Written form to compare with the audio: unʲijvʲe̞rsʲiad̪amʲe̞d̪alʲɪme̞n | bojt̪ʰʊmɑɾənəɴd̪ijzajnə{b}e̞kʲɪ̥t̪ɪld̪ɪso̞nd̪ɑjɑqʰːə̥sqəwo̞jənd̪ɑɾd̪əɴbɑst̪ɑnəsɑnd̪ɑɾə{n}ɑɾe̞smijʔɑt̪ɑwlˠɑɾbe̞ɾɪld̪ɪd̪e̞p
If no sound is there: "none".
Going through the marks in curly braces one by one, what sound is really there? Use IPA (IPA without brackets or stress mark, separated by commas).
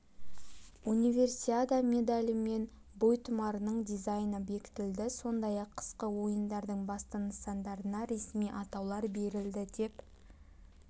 b, n